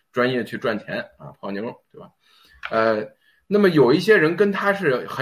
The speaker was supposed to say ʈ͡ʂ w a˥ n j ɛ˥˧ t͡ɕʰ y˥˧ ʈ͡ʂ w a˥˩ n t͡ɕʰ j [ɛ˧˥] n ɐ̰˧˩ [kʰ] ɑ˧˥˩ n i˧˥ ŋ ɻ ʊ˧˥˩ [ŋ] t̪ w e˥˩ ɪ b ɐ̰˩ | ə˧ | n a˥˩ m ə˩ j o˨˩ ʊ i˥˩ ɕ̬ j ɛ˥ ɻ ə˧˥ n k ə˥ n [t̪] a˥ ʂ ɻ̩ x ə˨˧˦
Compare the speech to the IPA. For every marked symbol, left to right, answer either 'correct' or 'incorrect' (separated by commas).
correct, incorrect, correct, incorrect